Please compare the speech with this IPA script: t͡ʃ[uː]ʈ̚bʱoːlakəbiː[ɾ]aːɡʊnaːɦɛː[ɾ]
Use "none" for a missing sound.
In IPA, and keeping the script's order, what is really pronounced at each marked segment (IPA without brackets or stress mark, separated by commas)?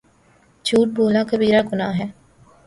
uː, ɾ, none